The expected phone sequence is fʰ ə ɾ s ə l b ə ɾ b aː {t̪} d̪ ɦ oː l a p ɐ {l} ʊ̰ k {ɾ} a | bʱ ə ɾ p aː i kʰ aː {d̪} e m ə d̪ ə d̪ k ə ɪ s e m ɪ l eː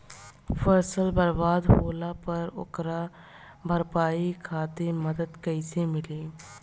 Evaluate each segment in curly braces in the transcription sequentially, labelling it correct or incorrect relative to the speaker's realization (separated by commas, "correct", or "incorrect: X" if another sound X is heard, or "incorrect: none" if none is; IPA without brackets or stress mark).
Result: incorrect: none, incorrect: ɾ, correct, incorrect: t̪